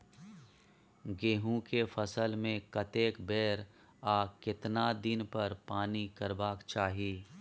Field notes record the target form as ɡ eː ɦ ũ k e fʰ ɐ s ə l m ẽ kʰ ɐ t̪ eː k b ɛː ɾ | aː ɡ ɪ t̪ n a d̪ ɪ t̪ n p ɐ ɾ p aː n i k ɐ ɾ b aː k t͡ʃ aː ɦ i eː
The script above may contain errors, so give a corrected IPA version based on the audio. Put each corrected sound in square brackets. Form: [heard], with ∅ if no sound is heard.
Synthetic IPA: ɡ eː ɦ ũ k e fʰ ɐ s ə l m ẽ [k] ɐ t̪ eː k b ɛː ɾ | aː [k] ɪ t̪ n a d̪ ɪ [∅] n p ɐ ɾ p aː n i k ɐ ɾ b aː k t͡ʃ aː ɦ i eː